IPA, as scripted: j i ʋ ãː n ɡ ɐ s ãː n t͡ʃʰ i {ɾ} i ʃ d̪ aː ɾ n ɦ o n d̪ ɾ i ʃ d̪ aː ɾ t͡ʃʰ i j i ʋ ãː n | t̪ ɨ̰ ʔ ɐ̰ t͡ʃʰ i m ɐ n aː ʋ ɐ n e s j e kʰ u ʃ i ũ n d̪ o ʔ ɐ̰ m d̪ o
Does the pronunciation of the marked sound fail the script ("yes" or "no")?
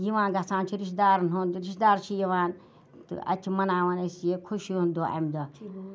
no